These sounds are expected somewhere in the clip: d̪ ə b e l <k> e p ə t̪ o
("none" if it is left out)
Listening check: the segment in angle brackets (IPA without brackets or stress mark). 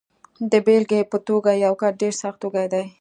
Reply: ɡ